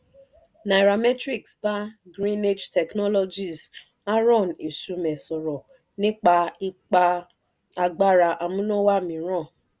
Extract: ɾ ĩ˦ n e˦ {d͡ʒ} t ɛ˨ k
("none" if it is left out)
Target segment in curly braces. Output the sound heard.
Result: d͡ʒ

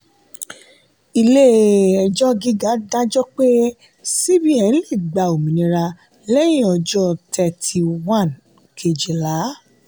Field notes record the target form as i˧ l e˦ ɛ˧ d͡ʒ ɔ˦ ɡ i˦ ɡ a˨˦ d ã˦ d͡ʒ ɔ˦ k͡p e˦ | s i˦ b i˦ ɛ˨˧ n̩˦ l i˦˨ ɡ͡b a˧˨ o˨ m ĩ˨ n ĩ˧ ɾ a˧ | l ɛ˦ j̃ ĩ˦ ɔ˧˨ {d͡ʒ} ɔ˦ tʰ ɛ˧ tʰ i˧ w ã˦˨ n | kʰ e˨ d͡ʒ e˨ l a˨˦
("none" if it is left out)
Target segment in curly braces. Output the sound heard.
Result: d͡ʒ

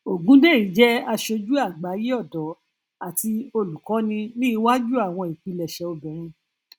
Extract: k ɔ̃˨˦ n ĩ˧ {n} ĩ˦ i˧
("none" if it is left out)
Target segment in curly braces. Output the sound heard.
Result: n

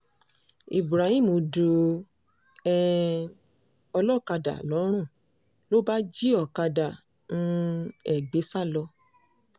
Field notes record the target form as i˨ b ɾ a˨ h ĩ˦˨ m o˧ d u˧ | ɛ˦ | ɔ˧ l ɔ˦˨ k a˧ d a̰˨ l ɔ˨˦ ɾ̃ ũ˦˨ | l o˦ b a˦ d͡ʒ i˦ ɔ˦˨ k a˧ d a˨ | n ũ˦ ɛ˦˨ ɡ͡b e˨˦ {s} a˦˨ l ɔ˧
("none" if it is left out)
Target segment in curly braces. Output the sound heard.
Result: s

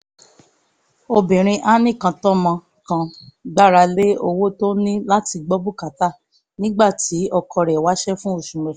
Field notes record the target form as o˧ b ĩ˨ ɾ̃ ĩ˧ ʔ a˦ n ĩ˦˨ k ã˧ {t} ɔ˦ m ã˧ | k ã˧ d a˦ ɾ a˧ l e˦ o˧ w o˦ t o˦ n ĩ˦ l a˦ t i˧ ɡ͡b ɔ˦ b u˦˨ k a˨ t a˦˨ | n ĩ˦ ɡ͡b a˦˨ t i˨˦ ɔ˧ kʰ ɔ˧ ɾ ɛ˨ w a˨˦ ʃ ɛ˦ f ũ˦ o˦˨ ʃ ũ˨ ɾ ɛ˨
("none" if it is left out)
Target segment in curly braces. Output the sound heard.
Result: t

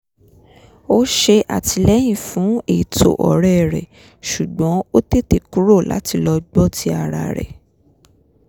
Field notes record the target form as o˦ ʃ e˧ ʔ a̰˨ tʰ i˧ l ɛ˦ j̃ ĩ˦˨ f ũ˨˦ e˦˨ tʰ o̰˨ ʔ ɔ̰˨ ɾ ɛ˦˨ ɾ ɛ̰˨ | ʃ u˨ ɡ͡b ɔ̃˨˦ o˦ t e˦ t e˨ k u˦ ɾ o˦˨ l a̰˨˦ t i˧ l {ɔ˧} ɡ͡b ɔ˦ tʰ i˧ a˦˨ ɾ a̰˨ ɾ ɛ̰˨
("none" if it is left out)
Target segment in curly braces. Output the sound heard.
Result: ɔ˧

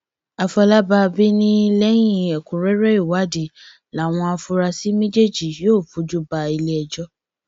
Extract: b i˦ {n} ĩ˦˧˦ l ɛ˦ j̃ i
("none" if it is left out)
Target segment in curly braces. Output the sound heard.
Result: n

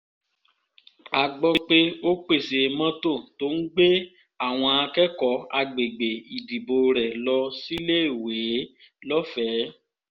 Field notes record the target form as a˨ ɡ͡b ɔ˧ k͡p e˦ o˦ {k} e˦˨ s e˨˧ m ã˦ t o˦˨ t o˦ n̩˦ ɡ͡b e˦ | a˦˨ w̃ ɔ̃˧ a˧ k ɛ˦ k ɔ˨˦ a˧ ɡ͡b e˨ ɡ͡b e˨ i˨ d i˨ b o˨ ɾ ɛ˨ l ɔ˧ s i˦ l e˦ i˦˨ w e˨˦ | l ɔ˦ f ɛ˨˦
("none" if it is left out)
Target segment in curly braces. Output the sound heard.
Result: k͡p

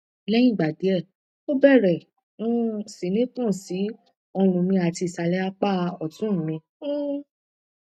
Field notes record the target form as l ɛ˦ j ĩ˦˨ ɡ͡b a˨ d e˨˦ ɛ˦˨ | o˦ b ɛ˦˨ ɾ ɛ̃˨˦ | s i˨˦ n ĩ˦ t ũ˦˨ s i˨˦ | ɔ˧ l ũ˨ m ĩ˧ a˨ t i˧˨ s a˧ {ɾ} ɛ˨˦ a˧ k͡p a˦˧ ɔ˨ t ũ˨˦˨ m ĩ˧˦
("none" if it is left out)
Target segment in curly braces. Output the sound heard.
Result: l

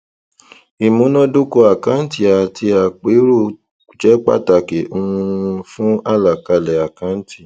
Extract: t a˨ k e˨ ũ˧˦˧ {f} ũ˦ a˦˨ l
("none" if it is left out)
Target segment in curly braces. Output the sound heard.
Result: f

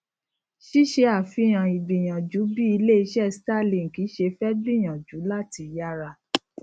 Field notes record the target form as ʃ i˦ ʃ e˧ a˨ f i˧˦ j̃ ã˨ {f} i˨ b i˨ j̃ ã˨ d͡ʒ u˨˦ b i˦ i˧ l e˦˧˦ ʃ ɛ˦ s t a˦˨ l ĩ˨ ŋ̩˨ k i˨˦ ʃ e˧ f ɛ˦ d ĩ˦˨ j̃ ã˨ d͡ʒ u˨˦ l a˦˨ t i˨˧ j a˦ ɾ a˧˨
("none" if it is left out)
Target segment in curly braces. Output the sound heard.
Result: none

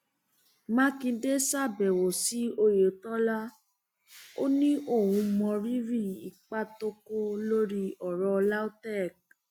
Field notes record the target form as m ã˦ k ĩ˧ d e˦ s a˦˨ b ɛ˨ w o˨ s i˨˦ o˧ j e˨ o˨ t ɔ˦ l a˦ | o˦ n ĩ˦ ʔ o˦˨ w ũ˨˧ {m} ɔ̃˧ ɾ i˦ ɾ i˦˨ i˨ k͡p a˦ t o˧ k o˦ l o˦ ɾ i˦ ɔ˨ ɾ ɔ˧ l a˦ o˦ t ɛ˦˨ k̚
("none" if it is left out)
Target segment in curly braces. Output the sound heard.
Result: m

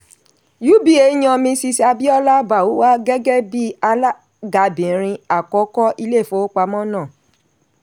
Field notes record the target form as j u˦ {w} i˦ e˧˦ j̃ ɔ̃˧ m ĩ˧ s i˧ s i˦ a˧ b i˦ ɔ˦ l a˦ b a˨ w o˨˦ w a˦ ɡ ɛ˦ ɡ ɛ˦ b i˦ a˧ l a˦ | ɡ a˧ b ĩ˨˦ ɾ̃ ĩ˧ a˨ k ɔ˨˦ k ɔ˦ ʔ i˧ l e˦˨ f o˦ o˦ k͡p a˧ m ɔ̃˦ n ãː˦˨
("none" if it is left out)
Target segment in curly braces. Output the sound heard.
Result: b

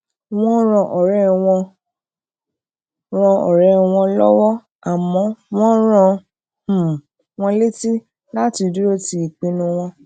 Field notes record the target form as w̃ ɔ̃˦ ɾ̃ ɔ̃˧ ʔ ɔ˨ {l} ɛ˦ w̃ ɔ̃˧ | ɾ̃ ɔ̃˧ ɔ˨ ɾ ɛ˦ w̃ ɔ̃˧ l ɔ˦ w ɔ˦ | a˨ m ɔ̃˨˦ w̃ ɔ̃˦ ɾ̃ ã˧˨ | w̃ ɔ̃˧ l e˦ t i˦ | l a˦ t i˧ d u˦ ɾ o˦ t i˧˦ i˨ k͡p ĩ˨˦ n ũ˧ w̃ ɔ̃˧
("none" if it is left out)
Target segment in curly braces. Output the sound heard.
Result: ɾ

